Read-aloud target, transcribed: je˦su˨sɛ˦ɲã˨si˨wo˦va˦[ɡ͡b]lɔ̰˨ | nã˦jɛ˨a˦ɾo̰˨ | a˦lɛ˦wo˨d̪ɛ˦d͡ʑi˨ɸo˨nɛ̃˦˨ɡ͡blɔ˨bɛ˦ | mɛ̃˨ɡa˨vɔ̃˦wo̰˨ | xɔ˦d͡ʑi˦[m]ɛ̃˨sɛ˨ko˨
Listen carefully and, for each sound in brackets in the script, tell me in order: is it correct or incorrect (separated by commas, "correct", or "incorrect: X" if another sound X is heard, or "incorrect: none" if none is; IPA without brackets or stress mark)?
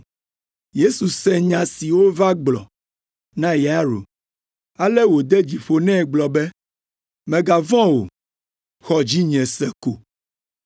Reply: correct, incorrect: ɲ